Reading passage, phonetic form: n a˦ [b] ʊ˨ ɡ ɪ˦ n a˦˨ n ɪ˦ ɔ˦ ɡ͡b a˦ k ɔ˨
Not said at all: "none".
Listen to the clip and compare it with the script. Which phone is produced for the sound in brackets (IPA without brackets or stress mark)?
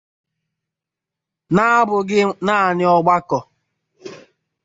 b